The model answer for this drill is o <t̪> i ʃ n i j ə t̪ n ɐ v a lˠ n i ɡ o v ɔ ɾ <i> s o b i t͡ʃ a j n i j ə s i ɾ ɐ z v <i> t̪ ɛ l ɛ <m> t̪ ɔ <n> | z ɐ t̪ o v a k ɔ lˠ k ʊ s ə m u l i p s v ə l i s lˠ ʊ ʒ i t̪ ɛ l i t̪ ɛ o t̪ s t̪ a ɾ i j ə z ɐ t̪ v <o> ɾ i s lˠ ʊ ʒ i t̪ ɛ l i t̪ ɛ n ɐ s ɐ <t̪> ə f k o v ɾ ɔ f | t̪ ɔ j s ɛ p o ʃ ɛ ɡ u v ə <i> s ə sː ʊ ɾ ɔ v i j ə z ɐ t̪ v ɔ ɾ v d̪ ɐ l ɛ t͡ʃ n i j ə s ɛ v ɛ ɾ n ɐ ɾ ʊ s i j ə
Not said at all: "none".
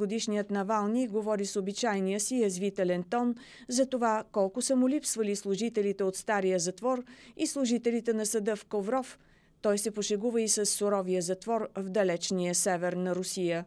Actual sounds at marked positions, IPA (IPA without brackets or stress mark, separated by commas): d̪, i, i, n, n, ɔ, d̪, i